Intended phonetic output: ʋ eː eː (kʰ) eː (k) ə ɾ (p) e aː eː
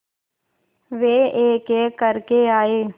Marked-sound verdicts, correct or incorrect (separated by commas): incorrect, correct, incorrect